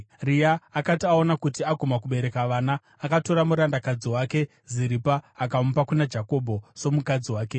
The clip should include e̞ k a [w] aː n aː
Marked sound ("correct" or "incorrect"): incorrect